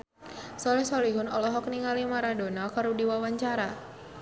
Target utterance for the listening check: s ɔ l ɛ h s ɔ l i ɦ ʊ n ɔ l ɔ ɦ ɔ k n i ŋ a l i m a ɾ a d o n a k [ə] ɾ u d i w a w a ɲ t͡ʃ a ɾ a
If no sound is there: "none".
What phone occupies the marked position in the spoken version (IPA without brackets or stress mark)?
a